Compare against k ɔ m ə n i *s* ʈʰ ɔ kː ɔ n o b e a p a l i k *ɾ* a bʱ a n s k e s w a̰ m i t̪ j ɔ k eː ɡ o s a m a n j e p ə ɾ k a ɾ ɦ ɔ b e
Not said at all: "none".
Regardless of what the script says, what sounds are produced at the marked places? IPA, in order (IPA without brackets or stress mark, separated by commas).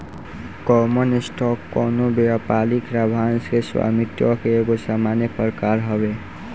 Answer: s, ɾ